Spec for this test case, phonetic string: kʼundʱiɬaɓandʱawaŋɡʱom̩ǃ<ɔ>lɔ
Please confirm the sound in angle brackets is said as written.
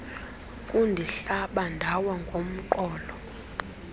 no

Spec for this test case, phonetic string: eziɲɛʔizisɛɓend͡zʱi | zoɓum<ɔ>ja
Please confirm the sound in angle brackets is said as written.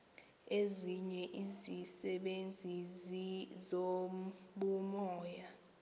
no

